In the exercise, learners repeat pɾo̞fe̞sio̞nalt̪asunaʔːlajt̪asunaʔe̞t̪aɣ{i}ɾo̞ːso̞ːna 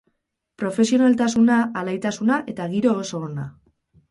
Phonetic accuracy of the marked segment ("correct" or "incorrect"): correct